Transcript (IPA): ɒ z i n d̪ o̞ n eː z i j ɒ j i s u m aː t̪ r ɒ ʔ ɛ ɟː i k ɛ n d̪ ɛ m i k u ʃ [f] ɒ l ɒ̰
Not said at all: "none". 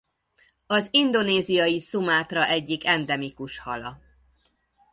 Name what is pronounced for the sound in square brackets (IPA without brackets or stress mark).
h